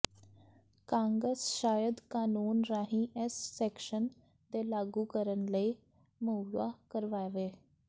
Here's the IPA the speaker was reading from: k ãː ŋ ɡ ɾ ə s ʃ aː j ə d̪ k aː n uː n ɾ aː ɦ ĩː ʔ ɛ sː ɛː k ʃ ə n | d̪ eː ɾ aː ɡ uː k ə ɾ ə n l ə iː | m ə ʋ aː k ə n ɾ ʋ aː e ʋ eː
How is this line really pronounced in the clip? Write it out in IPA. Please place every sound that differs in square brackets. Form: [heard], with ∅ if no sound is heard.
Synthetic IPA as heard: k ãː ŋ ɡ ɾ ə s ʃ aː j ə d̪ k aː n uː n ɾ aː ɦ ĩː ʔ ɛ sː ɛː k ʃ ə n | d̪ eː [l] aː ɡ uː k ə ɾ ə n l ə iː | m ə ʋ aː k ə [∅] ɾ ʋ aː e ʋ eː